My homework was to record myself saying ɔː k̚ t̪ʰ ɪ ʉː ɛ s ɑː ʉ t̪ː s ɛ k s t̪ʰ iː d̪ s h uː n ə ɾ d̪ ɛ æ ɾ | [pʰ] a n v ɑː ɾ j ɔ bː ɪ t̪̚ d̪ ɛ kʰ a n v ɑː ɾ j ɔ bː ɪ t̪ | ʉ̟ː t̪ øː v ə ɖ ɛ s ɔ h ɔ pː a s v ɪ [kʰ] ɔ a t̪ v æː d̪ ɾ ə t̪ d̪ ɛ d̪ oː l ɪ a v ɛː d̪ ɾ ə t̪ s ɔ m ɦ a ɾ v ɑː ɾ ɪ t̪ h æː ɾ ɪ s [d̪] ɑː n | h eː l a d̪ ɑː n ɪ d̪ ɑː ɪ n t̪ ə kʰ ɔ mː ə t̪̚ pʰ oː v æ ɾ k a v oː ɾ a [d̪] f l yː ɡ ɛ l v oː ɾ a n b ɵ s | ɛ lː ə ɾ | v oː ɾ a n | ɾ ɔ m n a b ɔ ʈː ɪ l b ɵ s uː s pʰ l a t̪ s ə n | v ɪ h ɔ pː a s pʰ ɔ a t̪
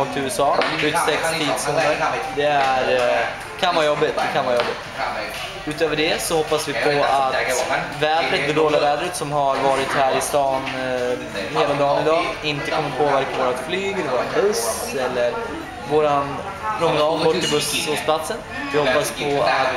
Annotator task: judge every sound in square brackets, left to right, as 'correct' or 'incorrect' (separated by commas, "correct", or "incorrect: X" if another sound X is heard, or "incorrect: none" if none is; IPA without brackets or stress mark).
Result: incorrect: kʰ, incorrect: pʰ, incorrect: t̪, incorrect: t̪